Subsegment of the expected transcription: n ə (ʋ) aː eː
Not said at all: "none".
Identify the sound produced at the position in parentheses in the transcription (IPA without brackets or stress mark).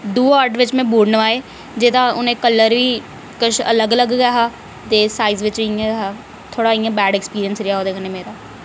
ʋ